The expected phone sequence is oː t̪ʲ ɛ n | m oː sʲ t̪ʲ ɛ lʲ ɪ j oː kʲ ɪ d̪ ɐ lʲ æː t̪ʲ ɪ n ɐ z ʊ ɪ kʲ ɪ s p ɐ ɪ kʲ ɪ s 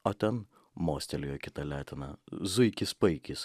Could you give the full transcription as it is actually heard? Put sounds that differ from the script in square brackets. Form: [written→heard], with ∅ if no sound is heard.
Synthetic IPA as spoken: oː t̪ʲ ɛ n | m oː sʲ t̪ʲ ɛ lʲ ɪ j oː kʲ ɪ [d̪→t̪] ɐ lʲ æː t̪ʲ ɪ n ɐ z ʊ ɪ kʲ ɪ s p ɐ ɪ kʲ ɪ s

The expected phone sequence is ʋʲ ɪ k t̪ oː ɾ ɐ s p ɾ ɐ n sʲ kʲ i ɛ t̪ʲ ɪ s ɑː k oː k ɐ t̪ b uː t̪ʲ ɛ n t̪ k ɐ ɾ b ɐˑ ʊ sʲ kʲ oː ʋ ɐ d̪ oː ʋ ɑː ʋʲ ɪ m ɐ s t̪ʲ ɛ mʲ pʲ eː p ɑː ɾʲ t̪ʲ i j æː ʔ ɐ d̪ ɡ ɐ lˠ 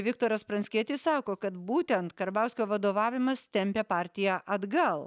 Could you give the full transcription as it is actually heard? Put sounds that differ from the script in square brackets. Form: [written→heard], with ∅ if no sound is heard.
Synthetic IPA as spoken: ʋʲ ɪ k t̪ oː ɾ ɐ s p ɾ ɐ n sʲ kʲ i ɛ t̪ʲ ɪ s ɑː k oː k ɐ t̪ b uː t̪ʲ ɛ n t̪ k ɐ ɾ b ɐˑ ʊ sʲ kʲ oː ʋ ɐ d̪ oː ʋ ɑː ʋʲ ɪ m ɐ s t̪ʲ ɛ mʲ pʲ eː p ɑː ɾʲ t̪ʲ [i→ɪ] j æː ʔ ɐ d̪ ɡ ɐ lˠ

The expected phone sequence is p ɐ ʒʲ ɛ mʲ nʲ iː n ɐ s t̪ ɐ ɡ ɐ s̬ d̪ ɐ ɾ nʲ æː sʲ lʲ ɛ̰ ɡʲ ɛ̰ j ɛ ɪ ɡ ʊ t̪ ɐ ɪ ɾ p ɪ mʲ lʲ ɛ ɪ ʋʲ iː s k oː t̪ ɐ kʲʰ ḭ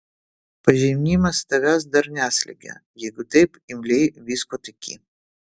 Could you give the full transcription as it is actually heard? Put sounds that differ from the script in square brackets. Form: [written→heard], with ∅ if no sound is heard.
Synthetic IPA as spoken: p ɐ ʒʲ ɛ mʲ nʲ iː [n→m] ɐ s t̪ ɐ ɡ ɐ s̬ d̪ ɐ ɾ nʲ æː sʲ lʲ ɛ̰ ɡʲ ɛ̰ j ɛ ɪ ɡ ʊ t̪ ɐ ɪ [ɾ→∅] p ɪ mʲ lʲ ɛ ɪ ʋʲ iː s k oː t̪ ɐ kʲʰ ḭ

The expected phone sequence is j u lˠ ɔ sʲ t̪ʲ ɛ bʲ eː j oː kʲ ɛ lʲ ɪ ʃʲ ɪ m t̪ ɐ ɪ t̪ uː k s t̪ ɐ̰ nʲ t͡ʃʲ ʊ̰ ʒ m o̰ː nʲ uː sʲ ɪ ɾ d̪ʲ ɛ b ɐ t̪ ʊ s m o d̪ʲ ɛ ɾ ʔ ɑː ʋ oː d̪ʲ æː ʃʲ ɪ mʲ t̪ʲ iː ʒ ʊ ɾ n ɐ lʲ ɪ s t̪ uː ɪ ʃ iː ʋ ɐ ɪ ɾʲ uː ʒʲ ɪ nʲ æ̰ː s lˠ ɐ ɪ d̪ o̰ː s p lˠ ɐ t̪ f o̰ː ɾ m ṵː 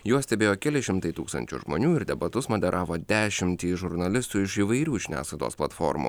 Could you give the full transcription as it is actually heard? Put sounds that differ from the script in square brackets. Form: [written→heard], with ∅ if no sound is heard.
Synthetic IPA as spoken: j u [lˠ→∅] ɔ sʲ t̪ʲ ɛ bʲ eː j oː kʲ ɛ lʲ ɪ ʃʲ ɪ m t̪ ɐ ɪ t̪ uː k s t̪ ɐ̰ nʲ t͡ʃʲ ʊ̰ ʒ m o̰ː nʲ uː [sʲ→∅] ɪ ɾ d̪ʲ ɛ b ɐ t̪ ʊ s m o d̪ʲ ɛ ɾ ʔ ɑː ʋ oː d̪ʲ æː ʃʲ ɪ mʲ t̪ʲ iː ʒ ʊ ɾ n ɐ lʲ ɪ s t̪ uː ɪ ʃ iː ʋ ɐ ɪ ɾʲ uː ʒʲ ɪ nʲ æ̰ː s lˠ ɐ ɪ d̪ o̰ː s p lˠ ɐ t̪ f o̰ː ɾ m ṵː

